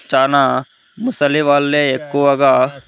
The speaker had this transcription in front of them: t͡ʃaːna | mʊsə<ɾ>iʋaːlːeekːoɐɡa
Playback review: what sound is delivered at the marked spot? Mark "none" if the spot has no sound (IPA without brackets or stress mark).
l